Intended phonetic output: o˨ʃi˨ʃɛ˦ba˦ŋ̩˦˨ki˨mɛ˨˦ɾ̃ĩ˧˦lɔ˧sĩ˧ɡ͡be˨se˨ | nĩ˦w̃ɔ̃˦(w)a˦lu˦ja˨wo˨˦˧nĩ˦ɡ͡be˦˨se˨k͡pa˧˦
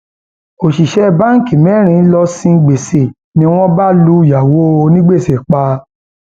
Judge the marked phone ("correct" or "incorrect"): incorrect